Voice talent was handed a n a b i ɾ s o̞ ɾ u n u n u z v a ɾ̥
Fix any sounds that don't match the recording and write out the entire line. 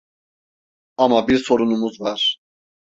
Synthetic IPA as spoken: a m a b i ɾ s o̞ ɾ u n u m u z v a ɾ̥